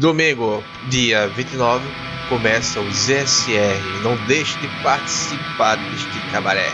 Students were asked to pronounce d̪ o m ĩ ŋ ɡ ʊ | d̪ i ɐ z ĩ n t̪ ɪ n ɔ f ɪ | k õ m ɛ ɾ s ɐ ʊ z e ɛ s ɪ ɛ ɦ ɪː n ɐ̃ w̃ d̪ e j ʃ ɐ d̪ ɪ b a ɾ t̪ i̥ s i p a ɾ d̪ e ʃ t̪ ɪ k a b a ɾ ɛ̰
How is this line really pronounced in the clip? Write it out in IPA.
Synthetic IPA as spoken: d̪ o m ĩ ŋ ɡ ʊ | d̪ i ɐ v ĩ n t̪ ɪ n ɔ v ɪ | k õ m ɛ s ɐ ʊ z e ɛ s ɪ ɛ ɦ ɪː n ɐ̃ w̃ d̪ e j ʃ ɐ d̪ ɪ p a ɾ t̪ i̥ s i p a ɾ d̪ e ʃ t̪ ɪ k a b a ɾ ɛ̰